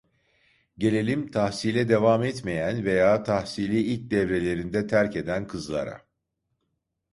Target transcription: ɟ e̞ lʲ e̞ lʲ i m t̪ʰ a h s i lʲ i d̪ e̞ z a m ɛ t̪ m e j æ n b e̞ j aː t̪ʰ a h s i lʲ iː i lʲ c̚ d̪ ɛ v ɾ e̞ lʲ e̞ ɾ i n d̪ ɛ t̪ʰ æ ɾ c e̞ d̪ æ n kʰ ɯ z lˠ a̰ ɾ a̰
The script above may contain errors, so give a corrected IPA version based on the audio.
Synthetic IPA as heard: ɟ e̞ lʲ e̞ lʲ i m t̪ʰ a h s i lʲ ɛ d̪ e̞ v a m ɛ t̪ m e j æ n v e̞ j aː t̪ʰ a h s i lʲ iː i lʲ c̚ d̪ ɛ v ɾ e̞ lʲ e̞ ɾ i n d̪ ɛ t̪ʰ æ ɾ c e̞ d̪ æ n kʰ ɯ z lˠ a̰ ɾ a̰